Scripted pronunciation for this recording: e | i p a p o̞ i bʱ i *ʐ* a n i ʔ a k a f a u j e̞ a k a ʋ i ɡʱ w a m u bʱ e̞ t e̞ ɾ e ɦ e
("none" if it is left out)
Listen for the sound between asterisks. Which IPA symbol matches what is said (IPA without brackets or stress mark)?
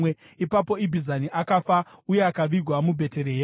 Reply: z